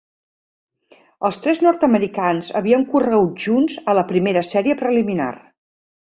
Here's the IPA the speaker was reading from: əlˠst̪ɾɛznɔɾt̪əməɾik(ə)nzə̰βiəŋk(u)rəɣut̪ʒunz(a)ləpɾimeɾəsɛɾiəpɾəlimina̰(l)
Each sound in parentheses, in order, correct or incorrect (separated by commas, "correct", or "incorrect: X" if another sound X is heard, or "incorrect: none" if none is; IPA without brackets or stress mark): incorrect: a, correct, incorrect: ə, incorrect: r